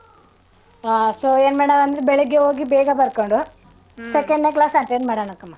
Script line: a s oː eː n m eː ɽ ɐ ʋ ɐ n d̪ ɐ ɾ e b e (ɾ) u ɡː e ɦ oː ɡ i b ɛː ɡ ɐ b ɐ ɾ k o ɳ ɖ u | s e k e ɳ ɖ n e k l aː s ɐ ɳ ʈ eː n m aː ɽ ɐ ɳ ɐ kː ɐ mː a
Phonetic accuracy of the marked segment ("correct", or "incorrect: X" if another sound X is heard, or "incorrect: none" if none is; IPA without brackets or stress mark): incorrect: ɭ